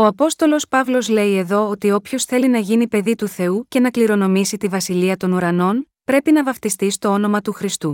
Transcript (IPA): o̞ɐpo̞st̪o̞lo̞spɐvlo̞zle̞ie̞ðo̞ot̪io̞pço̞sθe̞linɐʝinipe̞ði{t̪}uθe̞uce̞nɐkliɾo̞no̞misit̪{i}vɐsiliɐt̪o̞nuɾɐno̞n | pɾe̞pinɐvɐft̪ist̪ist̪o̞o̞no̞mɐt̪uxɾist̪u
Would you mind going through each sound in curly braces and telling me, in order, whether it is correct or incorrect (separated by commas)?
correct, correct